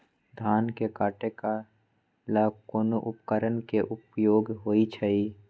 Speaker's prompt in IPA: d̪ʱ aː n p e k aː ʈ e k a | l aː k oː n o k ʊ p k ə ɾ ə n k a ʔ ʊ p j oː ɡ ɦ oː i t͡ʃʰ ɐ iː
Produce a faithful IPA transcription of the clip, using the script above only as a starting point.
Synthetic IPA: d̪ʱ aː n k e k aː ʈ e k a | l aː k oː n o ʔ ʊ p k ə ɾ ə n k e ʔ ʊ p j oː ɡ ɦ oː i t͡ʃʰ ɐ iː